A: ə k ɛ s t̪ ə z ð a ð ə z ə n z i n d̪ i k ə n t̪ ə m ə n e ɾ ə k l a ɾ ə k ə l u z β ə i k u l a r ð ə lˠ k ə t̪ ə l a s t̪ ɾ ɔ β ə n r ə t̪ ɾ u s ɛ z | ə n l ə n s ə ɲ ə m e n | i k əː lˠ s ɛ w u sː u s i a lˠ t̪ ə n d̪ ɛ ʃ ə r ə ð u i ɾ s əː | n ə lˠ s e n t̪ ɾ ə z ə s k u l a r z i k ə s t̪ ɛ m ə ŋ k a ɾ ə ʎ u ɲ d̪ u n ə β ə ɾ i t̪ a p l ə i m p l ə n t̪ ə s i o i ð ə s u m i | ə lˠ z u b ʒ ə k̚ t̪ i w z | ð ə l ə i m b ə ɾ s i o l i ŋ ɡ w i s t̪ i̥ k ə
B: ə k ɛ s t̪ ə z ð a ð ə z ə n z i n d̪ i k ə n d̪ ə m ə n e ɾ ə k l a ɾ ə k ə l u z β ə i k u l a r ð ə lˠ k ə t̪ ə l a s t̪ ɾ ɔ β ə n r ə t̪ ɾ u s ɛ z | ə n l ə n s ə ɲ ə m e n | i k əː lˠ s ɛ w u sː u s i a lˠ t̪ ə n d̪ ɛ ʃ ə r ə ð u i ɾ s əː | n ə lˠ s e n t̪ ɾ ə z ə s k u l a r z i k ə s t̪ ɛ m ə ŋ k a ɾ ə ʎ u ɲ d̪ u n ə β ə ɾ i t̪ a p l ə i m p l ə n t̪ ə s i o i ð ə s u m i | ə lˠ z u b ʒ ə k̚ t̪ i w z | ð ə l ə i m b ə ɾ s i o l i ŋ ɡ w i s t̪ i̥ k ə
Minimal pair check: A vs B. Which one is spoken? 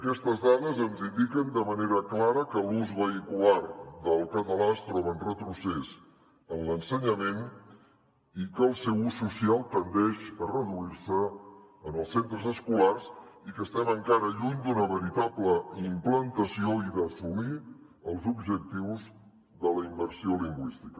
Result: B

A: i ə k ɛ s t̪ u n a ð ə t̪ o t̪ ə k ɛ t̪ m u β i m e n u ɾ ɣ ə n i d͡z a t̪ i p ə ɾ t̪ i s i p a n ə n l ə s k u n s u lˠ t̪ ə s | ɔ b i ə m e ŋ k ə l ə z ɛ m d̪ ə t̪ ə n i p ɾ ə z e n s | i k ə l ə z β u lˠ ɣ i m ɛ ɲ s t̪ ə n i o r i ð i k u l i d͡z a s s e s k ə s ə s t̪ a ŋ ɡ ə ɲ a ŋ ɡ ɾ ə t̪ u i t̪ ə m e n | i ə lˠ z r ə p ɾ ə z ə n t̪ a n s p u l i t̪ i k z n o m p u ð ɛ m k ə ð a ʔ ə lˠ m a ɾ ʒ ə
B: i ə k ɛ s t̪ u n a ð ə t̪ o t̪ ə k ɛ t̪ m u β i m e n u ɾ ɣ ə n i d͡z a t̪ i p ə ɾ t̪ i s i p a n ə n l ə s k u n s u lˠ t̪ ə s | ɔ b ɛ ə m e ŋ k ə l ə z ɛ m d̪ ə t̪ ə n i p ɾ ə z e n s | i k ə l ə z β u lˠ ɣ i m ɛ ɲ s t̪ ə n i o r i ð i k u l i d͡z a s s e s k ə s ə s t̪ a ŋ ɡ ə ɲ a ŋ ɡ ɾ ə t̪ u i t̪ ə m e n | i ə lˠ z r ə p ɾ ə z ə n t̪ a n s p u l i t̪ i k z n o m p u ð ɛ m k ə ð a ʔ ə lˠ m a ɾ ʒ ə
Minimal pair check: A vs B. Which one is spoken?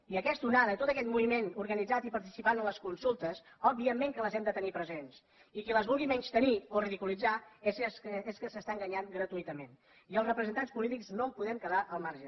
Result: A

